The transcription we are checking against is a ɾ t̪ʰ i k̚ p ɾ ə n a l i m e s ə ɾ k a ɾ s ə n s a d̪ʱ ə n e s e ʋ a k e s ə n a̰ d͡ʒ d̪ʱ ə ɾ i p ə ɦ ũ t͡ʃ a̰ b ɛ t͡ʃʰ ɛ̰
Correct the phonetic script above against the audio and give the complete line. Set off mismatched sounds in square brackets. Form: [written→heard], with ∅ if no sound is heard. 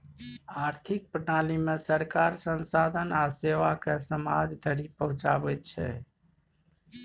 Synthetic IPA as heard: a ɾ t̪ʰ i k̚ p ɾ ə n a l i m e s ə ɾ k a ɾ s ə n s a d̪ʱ ə n [e→a] s e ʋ a k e s ə [n→m] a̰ d͡ʒ d̪ʱ ə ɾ i p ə ɦ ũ t͡ʃ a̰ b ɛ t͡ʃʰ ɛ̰